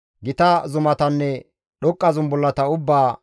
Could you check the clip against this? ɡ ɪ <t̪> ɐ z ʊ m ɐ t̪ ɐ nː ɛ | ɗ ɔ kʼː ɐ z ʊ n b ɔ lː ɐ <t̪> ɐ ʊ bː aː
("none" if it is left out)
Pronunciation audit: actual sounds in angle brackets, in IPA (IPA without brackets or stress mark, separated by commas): t̪, t̪